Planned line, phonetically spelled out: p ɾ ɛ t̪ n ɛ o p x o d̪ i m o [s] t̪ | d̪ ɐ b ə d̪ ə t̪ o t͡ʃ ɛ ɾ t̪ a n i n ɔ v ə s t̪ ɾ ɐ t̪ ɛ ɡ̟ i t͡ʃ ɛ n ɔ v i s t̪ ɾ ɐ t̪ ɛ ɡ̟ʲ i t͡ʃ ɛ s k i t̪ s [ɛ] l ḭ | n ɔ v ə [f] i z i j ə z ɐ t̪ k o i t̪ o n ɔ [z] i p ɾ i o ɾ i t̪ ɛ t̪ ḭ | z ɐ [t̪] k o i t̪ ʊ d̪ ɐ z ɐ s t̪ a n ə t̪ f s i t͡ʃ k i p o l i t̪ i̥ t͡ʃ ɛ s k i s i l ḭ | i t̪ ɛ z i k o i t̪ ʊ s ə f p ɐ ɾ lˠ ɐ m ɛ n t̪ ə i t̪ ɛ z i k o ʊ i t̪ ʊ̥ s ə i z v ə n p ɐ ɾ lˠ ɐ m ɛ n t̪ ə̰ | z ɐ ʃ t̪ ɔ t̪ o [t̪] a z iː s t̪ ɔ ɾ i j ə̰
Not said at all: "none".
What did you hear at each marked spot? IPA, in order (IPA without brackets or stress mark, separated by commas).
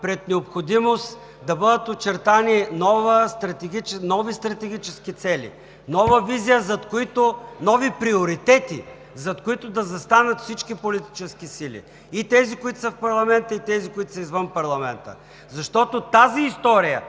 s, ɛ, v, v, t̪, t̪